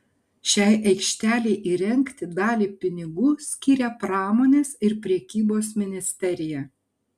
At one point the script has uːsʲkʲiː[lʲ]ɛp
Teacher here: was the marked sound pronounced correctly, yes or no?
no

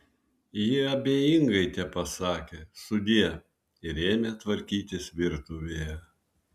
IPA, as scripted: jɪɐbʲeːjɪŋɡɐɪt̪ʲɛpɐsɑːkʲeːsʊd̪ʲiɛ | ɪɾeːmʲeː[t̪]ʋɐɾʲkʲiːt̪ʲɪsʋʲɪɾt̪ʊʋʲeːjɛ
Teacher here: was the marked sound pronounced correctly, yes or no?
yes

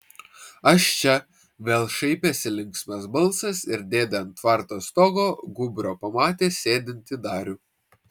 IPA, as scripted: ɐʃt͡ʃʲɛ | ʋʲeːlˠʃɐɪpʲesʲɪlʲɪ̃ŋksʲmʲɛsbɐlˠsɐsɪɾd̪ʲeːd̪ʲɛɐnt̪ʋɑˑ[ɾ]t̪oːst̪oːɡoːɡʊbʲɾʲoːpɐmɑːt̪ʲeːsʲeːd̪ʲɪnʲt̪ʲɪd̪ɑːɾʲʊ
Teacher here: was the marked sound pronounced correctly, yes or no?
yes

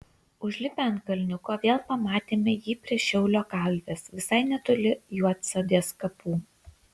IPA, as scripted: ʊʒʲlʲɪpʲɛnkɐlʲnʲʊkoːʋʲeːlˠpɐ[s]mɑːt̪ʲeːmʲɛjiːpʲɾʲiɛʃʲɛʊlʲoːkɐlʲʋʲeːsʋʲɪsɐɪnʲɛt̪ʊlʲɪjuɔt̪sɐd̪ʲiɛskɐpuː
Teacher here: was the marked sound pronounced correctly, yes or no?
no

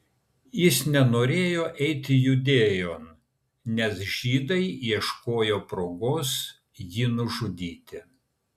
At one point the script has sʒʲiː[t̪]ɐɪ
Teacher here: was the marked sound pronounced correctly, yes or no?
no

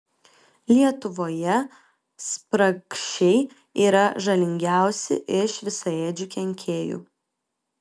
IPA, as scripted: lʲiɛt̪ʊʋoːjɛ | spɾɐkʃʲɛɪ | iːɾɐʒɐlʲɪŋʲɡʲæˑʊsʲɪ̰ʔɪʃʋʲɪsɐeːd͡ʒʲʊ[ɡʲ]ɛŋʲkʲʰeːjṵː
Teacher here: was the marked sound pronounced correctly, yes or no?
no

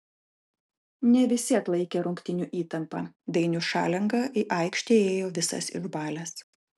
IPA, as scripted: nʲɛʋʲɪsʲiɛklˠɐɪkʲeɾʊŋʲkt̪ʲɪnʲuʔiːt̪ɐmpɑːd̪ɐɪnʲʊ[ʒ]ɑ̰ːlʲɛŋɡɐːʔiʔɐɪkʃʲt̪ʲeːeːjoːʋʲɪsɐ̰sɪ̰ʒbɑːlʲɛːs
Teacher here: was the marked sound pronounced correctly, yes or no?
no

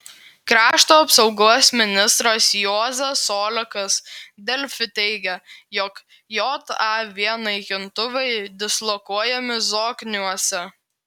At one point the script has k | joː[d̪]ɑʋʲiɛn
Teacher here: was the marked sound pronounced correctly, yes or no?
no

